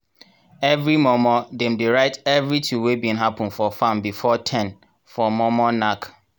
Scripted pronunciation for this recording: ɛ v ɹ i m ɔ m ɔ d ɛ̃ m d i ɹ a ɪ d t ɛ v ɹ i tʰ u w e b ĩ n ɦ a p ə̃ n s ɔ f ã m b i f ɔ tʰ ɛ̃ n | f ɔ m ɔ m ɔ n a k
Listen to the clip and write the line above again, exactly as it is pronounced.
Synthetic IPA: ɛ v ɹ i m ɔ m ɔ d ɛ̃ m d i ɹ a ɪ t ɛ v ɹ i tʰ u w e b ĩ n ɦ a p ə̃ n f ɔ f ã m b i f ɔ tʰ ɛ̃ n | f ɔ m ɔ m ɔ n a k